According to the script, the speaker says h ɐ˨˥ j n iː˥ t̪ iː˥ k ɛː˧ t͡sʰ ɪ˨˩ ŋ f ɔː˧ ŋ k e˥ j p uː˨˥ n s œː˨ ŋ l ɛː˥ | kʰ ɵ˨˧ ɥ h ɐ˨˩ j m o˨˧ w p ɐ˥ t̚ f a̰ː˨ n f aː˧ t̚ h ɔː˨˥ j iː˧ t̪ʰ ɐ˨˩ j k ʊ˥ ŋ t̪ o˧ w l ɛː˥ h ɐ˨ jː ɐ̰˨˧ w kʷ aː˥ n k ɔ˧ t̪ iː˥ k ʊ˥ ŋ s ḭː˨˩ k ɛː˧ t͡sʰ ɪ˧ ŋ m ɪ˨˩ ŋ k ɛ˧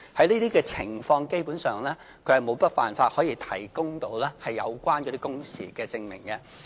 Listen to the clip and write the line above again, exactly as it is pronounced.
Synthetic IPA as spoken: h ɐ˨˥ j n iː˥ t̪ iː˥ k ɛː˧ t͡sʰ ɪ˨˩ ŋ f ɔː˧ ŋ k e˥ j p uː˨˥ n s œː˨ ŋ l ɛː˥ | kʰ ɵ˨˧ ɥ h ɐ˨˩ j m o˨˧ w p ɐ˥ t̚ f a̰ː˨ n f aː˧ t̚ h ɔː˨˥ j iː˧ t̪ʰ ɐ˨˩ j k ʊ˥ ŋ t̪ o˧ w l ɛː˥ h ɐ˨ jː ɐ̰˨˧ w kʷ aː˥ n k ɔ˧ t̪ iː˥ k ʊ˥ ŋ s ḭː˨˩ k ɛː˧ t͡s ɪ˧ ŋ m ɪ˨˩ ŋ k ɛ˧